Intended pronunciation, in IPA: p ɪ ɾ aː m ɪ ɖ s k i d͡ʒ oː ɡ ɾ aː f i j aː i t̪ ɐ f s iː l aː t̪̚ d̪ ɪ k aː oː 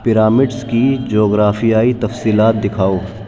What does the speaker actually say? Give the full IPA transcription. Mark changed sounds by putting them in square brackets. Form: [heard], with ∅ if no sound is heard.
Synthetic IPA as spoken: p ɪ ɾ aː m ɪ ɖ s k i d͡ʒ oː ɡ ɾ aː f i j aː i t̪ ɐ f s iː l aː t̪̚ d̪ ɪ [kʰ] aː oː

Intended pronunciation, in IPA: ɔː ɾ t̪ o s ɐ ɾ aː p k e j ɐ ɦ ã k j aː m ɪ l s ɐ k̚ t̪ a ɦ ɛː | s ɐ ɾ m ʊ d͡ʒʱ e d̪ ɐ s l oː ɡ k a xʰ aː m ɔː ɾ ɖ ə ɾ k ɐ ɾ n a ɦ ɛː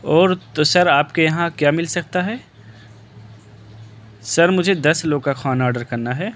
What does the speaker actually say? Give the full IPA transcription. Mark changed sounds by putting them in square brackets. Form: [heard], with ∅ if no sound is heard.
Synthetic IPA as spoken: ɔː ɾ t̪ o s ɐ ɾ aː p k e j ɐ ɦ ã k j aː m ɪ l s ɐ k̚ t̪ a ɦ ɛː | s ɐ ɾ m ʊ d͡ʒʱ e d̪ ɐ s l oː ɡ k a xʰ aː [n] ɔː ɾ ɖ ə ɾ k ɐ ɾ n a ɦ ɛː

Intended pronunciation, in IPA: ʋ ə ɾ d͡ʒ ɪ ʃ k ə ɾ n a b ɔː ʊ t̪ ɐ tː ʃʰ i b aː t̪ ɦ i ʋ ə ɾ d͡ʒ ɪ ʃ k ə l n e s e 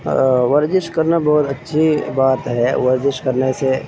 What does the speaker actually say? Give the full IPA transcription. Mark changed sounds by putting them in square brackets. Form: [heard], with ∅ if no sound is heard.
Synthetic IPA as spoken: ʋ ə ɾ d͡ʒ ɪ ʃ k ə ɾ n a b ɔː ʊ t̪ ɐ tː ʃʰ i b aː t̪ ɦ [ɛ] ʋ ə ɾ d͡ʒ ɪ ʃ k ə [ɾ] n e s e

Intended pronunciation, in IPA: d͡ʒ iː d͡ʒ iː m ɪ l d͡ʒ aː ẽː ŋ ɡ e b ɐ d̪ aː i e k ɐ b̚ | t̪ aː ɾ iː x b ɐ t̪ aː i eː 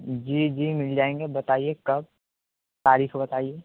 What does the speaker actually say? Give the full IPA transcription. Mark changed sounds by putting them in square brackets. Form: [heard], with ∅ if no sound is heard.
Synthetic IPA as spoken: d͡ʒ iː d͡ʒ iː m ɪ l d͡ʒ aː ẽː ŋ ɡ e b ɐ [t̪] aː i e k ɐ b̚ | t̪ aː ɾ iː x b ɐ t̪ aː i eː

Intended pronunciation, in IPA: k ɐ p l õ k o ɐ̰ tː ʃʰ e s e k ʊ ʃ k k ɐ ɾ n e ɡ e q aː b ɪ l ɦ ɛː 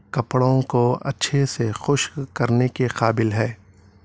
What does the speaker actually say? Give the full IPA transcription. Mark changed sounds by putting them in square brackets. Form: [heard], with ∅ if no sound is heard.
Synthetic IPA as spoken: k ɐ p [ɽ] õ k o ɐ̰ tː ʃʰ e s e [x] ʊ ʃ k k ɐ ɾ n e [k] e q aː b ɪ l ɦ ɛː

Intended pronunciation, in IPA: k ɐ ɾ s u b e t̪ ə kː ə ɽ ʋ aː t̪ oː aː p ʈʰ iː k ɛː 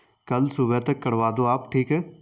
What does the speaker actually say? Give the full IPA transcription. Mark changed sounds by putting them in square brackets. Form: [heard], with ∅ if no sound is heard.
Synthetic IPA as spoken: k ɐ [l] s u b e t̪ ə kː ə ɽ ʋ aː [d̪] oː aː p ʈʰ iː k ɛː

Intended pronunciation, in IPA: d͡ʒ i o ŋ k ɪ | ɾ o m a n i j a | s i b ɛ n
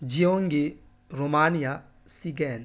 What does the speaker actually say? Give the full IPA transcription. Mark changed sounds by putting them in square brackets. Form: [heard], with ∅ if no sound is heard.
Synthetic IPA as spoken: d͡ʒ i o ŋ [ɡ] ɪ | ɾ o m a n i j a | s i [ɡ] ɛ n

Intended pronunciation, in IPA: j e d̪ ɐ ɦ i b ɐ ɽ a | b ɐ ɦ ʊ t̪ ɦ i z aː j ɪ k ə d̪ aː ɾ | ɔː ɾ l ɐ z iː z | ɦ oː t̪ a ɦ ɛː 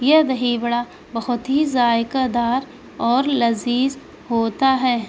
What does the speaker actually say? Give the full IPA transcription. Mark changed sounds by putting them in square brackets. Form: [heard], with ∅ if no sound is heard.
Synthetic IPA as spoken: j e d̪ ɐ ɦ i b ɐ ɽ a | b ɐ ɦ ʊ t̪ ɦ i z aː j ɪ k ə d̪ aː ɾ | ɔː ɾ l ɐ z iː z | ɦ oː t̪ a ɦ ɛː

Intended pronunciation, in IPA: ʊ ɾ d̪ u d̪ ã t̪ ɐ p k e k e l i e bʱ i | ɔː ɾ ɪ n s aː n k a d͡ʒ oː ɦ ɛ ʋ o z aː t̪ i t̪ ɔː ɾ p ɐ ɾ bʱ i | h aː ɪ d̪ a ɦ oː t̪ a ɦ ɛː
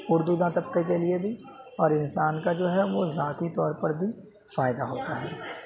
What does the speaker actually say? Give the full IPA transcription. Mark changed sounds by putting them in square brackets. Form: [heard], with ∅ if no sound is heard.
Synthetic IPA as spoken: ʊ ɾ d̪ u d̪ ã t̪ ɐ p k e k e l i e bʱ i | ɔː ɾ ɪ n s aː n k a d͡ʒ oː ɦ ɛ ʋ o z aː t̪ i t̪ ɔː ɾ p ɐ ɾ bʱ i | [f] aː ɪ d̪ a ɦ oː t̪ a ɦ ɛː

